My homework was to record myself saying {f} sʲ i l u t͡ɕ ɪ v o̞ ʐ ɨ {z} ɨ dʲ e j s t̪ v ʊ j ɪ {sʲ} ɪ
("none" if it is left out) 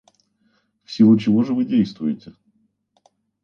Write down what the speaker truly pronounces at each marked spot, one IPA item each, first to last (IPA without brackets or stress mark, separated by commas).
f, v, tʲ